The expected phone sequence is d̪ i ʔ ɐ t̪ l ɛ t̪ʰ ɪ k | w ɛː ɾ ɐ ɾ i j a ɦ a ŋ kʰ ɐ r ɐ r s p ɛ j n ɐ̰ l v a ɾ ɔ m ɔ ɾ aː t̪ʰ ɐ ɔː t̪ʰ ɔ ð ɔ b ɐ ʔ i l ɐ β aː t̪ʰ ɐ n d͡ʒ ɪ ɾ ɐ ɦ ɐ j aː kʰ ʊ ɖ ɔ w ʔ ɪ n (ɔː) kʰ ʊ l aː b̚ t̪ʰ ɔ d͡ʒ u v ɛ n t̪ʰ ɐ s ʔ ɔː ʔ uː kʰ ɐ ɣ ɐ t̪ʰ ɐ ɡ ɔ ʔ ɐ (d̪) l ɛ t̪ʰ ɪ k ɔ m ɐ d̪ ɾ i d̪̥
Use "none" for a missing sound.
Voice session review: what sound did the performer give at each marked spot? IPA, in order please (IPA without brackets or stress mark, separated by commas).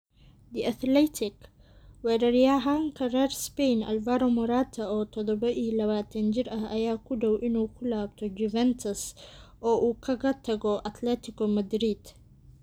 uː, t̪